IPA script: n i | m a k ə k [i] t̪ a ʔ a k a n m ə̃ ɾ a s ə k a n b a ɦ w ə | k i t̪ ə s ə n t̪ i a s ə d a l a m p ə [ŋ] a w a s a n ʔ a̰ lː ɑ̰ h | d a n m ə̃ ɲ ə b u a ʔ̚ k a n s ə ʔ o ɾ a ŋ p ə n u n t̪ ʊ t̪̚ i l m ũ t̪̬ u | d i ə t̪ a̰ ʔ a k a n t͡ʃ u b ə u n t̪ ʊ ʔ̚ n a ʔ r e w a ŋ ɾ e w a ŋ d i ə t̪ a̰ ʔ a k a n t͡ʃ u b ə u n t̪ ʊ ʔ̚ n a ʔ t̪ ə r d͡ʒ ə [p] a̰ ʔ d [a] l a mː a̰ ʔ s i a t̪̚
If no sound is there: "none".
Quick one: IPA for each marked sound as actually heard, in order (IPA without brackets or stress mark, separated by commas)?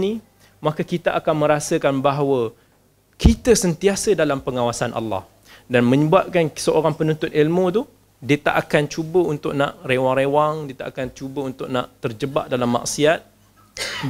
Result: i, ŋ, b, a